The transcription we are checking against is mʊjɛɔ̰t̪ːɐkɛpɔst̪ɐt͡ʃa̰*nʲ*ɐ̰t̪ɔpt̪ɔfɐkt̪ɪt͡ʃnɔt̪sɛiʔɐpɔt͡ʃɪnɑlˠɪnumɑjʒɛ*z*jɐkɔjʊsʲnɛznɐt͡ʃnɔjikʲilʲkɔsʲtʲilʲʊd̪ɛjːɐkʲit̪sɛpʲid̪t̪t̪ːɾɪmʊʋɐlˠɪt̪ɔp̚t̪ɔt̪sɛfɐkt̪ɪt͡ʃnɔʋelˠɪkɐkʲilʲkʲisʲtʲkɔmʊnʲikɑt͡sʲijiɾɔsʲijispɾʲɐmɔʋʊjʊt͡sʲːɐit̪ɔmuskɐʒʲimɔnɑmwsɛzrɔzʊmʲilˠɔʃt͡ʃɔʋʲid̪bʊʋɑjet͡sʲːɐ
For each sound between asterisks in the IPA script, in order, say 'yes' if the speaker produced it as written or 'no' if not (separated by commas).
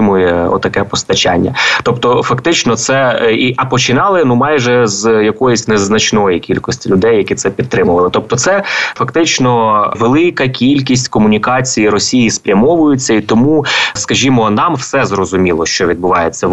no, yes